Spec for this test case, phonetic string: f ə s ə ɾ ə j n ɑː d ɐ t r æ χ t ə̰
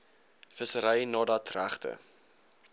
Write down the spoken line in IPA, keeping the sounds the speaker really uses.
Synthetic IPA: f ə s ə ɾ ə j n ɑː d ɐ t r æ χ t ə̰